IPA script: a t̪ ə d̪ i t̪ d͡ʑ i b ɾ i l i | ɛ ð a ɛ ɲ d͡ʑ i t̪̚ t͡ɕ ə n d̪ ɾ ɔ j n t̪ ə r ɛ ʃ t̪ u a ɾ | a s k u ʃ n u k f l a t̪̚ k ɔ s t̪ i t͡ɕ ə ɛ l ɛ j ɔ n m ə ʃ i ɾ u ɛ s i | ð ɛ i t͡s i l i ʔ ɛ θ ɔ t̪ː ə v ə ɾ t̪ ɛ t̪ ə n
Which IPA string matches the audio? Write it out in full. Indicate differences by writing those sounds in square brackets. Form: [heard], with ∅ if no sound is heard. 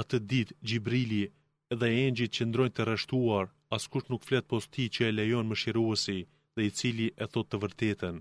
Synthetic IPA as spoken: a t̪ ə d̪ i t̪ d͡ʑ i b ɾ i l i | ɛ ð [ɛ] ɛ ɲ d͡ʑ i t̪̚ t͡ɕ ə n d̪ ɾ ɔ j n t̪ ə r ɛ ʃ t̪ u a ɾ | a s k u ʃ n u k f l [ɛ] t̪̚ [p] ɔ s t̪ i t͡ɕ ə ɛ l ɛ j ɔ n m ə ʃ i ɾ u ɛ s i | ð ɛ i t͡s i l i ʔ ɛ θ ɔ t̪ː ə v ə ɾ t̪ ɛ t̪ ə n